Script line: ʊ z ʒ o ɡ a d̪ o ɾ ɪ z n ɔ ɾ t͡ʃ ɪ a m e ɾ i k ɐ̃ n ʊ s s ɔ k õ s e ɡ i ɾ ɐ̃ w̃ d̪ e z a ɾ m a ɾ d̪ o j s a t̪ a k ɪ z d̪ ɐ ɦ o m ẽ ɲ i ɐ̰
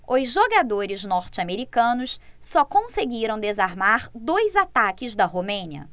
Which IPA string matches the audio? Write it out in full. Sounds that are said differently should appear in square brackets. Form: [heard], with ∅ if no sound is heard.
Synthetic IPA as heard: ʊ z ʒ o ɡ a d̪ o ɾ ɪ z n ɔ ɾ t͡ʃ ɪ a m e ɾ i k ɐ̃ n ʊ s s ɔ k õ s e ɡ i ɾ ɐ̃ w̃ d̪ e z a ɾ m a ɾ d̪ o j [z] a t̪ a k ɪ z d̪ ɐ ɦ o m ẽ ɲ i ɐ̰